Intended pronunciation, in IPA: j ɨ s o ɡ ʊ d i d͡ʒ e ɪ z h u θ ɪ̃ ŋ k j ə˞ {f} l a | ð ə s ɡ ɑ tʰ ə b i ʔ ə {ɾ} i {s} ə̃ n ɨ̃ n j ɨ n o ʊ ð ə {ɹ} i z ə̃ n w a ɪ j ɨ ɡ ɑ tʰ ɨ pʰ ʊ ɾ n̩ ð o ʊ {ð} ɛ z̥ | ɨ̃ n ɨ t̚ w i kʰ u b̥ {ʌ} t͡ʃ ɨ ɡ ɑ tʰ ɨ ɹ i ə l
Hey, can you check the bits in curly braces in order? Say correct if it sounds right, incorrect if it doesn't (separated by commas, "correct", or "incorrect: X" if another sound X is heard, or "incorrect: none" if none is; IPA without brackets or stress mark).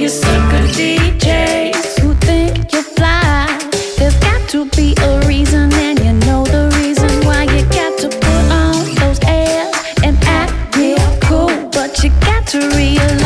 correct, incorrect: ɹ, incorrect: z, correct, incorrect: z, correct